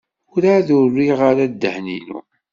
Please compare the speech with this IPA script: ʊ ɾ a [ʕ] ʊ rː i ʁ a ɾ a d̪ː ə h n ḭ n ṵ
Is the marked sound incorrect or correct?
incorrect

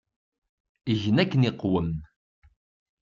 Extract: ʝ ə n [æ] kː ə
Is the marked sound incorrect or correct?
correct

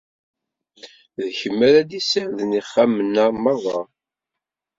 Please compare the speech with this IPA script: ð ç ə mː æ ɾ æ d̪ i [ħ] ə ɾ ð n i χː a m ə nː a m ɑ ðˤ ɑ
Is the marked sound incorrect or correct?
incorrect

